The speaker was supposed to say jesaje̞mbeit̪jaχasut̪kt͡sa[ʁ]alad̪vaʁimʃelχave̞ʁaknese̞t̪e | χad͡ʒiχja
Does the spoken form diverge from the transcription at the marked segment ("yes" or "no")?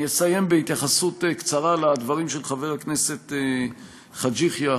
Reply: no